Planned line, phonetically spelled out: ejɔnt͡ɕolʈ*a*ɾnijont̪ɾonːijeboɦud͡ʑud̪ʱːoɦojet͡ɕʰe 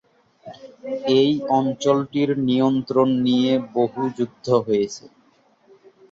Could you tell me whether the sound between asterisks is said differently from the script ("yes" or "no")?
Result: yes